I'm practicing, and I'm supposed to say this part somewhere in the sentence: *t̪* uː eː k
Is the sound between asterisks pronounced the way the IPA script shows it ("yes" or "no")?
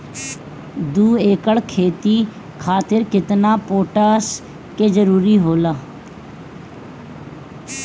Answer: no